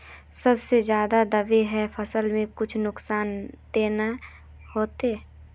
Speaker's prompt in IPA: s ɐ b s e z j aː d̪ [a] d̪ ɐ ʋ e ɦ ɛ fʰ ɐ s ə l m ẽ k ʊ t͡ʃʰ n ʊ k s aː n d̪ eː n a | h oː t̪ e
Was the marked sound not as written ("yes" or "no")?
no